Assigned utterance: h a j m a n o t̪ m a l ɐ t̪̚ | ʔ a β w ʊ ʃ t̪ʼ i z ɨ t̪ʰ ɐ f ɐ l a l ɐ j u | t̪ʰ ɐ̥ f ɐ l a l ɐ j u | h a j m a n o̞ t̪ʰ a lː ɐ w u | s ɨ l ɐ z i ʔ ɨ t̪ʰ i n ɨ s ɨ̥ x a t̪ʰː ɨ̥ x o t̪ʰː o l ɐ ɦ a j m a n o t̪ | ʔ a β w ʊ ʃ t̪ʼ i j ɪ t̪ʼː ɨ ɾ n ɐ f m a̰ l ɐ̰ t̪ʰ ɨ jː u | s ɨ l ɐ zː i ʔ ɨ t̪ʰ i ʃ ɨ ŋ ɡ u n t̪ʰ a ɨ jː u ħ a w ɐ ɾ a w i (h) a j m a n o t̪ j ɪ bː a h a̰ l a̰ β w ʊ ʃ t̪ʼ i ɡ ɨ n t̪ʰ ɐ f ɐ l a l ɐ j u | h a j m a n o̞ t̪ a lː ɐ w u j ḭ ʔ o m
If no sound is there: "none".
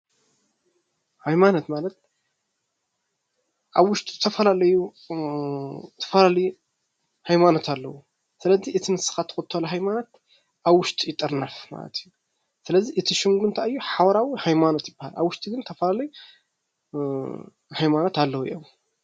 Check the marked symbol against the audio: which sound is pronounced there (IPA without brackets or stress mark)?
h